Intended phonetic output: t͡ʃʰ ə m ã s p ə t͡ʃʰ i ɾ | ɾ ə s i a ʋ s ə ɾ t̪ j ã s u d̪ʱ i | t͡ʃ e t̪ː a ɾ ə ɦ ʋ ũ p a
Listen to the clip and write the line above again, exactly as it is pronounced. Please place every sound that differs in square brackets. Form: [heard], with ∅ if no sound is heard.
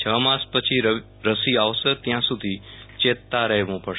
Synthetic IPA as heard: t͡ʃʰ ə m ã s p ə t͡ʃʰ i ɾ | ɾ ə s i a ʋ s ə ɾ t̪ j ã s u d̪ʱ i | t͡ʃ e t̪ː a ɾ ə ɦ ʋ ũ p [ə]